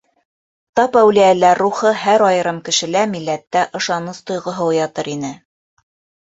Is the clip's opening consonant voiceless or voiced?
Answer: voiceless